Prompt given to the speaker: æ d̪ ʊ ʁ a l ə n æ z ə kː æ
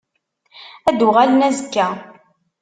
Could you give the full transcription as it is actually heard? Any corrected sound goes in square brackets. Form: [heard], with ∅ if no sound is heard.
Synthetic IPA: æ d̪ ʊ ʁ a l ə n æ z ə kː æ